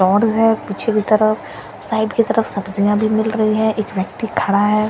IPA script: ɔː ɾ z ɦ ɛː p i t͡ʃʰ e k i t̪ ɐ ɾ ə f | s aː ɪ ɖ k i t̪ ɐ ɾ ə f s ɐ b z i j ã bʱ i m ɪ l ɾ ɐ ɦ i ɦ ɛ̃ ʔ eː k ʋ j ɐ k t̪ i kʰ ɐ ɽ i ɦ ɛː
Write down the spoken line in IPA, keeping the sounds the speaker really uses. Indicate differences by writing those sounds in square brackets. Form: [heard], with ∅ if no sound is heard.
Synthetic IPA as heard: ɔː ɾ z ɦ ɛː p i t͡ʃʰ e k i t̪ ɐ ɾ ə f | s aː ɪ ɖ k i t̪ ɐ ɾ ə f s ɐ b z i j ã bʱ i m ɪ l ɾ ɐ ɦ i ɦ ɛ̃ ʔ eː k ʋ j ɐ k t̪ i kʰ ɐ ɽ [a] ɦ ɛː